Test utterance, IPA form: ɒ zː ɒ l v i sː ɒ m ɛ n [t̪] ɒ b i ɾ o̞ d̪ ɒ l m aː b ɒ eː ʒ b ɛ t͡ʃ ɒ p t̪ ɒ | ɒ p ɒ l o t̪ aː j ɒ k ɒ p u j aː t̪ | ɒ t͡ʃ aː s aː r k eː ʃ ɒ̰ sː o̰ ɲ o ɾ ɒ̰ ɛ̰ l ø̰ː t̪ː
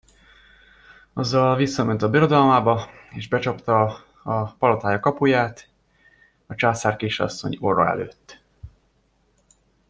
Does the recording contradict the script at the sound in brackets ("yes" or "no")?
no